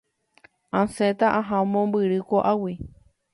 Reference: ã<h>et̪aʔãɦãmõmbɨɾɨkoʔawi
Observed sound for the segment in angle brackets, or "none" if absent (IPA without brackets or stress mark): s